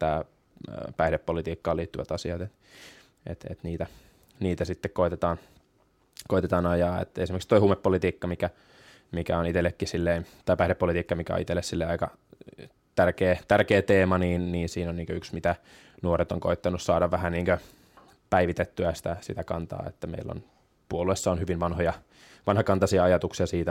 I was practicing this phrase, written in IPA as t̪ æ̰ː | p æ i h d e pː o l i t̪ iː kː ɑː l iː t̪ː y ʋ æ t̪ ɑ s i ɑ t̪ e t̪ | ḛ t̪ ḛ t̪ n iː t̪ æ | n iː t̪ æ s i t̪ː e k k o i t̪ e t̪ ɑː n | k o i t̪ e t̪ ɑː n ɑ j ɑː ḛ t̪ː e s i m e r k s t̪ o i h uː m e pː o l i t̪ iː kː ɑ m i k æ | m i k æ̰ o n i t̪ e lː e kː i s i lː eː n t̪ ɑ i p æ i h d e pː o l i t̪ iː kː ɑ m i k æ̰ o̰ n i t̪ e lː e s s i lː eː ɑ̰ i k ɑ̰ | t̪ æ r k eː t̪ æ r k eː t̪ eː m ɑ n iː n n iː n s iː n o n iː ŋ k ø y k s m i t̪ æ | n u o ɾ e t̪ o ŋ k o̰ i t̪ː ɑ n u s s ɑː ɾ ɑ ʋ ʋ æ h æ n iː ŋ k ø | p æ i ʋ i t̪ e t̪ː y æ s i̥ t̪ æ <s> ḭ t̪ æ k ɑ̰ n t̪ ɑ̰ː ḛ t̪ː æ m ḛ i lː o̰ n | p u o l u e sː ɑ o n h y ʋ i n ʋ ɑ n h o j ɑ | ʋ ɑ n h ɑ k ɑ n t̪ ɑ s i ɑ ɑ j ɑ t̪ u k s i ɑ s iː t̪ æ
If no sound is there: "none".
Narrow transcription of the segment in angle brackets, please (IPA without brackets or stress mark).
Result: s